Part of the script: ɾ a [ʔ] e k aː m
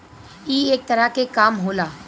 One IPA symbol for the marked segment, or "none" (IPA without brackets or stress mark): k